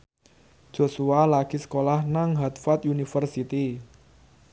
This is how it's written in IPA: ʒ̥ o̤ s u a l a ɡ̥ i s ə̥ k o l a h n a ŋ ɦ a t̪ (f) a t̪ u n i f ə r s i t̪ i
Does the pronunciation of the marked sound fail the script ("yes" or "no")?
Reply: no